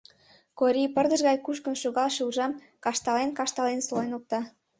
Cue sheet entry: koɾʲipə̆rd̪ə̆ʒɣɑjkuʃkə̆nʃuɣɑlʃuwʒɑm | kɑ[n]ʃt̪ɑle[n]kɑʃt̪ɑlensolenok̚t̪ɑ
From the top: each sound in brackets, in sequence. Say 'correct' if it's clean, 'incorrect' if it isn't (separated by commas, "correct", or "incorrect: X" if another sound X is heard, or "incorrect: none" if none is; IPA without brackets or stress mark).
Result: incorrect: none, correct